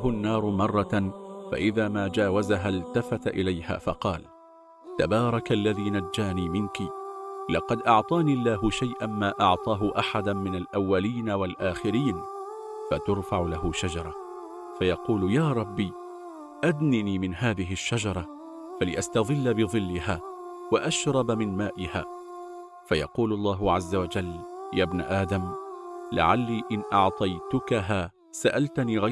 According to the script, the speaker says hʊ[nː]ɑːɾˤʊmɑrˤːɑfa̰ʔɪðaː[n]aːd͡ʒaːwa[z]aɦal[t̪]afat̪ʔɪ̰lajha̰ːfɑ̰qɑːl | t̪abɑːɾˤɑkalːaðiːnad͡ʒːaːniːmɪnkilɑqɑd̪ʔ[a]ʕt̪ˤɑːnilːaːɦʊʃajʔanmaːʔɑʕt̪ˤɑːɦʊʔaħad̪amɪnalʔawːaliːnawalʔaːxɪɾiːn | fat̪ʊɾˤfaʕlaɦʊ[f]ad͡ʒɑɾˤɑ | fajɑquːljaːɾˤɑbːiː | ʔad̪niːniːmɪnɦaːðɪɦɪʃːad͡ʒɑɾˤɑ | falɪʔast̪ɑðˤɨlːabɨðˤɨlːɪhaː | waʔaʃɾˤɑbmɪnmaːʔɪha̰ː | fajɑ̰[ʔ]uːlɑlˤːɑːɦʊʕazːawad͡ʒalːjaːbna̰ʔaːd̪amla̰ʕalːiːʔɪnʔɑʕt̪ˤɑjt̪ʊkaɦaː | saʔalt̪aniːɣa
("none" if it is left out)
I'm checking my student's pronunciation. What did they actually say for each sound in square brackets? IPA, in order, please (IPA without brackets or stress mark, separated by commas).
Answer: nː, m, z, t̪, ɑ, ʃ, q